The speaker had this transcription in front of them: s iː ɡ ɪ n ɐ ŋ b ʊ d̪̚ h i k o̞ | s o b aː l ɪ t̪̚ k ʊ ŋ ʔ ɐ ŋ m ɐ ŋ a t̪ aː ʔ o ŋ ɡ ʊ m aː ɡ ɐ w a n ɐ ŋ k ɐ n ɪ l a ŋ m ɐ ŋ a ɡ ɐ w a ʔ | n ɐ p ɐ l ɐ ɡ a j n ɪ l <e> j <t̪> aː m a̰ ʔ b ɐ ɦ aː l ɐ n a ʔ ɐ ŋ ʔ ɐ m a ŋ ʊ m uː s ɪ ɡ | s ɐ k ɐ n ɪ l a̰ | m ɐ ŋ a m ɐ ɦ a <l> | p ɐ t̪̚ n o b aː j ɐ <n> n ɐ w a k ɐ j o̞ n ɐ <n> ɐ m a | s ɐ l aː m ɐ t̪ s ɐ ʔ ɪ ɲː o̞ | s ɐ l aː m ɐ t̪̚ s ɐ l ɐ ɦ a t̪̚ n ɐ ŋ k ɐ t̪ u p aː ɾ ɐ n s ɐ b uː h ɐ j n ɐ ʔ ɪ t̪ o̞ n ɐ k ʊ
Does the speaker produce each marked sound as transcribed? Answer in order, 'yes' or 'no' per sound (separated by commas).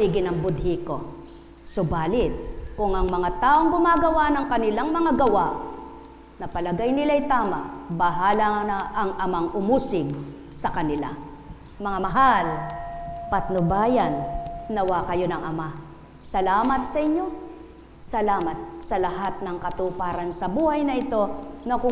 no, yes, yes, yes, no